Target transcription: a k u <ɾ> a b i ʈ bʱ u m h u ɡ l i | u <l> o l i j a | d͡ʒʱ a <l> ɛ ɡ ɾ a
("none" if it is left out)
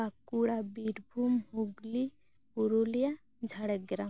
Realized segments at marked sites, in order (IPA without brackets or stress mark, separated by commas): ɽ, ɾ, ɽ